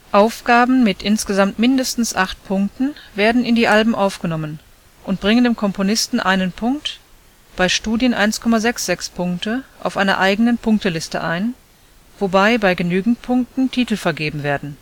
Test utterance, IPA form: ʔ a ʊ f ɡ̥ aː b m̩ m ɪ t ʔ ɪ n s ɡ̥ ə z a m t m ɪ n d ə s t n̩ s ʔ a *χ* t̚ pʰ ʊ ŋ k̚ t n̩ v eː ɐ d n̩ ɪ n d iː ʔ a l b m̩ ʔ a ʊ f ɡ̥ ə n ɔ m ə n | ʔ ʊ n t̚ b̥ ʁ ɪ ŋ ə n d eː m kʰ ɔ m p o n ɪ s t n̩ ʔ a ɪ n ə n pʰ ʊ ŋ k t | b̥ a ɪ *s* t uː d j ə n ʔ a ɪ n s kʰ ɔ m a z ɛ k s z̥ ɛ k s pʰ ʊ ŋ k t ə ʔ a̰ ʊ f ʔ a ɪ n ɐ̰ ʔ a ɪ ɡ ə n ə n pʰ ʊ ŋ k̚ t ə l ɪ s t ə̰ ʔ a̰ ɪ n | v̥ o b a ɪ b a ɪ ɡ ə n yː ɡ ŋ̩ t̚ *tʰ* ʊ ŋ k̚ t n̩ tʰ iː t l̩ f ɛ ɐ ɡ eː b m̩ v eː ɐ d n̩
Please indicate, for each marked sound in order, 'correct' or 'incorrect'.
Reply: correct, incorrect: ʃ, incorrect: pʰ

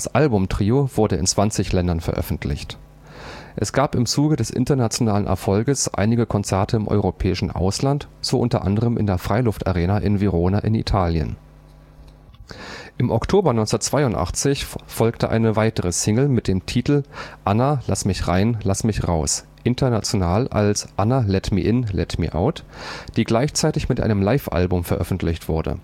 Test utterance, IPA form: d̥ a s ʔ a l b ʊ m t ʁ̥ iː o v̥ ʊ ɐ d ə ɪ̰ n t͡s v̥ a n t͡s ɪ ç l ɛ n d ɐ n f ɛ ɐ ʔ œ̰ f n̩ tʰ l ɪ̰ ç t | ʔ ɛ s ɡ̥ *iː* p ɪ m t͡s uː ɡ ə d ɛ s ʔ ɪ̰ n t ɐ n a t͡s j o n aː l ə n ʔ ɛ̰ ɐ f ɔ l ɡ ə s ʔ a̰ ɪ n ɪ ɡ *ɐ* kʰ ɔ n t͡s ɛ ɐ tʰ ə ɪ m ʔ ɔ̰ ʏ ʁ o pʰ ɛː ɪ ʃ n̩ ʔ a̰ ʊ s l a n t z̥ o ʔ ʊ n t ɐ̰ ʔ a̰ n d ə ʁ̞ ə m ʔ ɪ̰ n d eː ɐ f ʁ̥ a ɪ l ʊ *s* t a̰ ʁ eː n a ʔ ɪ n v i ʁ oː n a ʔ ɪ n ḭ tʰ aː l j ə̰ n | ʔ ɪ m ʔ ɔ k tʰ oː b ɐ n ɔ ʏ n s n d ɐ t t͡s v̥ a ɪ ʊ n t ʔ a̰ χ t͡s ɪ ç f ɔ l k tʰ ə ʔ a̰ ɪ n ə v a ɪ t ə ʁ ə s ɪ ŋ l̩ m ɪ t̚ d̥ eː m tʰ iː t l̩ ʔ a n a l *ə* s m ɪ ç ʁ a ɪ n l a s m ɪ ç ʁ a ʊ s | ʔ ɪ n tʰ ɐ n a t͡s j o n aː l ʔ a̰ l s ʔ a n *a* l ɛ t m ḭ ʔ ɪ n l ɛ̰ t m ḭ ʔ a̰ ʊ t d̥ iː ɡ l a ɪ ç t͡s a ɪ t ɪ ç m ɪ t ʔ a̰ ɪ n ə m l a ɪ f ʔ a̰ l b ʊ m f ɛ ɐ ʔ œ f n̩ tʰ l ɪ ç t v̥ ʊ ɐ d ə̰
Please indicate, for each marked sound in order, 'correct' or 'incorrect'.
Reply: incorrect: aː, incorrect: ə, incorrect: f, incorrect: a, correct

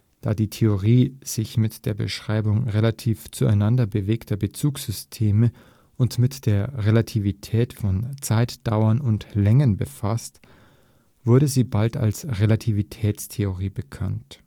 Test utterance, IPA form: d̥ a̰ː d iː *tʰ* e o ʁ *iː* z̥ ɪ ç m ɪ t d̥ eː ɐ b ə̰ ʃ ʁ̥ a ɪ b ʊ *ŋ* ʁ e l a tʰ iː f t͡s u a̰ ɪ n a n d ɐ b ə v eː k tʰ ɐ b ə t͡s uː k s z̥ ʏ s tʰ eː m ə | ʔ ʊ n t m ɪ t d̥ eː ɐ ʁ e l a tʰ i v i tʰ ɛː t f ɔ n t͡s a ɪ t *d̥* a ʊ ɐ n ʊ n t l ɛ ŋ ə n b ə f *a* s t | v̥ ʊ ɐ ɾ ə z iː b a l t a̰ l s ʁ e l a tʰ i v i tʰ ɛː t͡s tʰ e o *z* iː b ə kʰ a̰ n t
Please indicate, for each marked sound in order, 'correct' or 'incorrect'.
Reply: correct, correct, correct, correct, correct, incorrect: ʁ

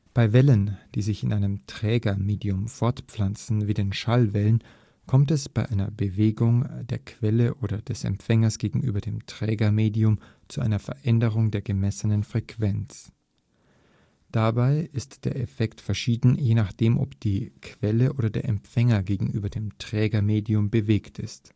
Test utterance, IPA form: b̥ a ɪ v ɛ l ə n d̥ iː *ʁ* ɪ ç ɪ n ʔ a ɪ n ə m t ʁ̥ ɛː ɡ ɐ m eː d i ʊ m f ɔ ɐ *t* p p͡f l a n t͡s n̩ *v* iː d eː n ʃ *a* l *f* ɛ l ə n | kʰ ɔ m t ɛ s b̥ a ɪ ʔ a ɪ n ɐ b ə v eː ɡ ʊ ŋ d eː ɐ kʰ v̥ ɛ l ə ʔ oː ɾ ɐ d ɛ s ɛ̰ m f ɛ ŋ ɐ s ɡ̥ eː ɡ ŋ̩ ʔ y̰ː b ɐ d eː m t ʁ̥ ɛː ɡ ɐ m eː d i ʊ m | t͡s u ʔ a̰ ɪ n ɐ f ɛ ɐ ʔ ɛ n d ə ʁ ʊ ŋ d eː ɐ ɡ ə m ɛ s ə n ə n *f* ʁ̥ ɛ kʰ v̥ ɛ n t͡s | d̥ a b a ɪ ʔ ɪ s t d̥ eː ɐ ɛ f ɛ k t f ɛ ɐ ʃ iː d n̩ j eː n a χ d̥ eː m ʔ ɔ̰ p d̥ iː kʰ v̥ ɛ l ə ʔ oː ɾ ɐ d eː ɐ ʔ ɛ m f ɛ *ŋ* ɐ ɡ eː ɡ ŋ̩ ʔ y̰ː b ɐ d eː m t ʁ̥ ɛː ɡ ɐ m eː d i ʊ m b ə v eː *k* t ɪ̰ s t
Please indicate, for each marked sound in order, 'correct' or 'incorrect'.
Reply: incorrect: z, correct, correct, correct, incorrect: v, correct, correct, correct

